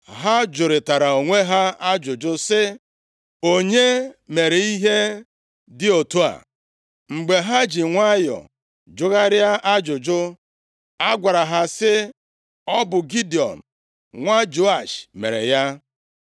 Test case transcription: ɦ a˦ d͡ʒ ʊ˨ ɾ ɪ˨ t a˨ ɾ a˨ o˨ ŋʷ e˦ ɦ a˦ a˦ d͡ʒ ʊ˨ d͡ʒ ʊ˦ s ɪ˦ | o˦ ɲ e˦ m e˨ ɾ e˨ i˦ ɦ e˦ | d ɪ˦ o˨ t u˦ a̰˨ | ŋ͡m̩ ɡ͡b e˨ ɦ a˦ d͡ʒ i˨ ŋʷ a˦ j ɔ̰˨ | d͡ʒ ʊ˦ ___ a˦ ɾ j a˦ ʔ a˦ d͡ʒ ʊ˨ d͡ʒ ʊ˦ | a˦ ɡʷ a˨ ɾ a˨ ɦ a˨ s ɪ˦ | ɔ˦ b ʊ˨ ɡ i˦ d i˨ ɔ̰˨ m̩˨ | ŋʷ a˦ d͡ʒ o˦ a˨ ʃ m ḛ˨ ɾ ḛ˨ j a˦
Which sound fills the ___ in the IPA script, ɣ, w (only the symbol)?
ɣ